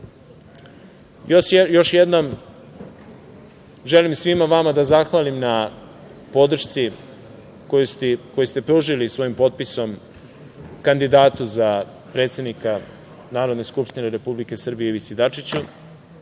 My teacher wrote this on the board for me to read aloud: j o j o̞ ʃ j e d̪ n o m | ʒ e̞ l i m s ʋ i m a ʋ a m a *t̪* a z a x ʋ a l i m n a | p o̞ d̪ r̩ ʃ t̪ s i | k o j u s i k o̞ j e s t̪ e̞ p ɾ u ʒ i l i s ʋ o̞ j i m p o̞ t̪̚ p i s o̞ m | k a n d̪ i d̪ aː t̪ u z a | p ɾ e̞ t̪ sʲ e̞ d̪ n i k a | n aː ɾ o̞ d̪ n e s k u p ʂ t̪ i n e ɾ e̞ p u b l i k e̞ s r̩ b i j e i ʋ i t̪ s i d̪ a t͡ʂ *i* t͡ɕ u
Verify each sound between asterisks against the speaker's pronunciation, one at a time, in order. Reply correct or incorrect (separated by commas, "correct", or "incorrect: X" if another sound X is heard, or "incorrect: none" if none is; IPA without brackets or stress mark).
incorrect: d̪, correct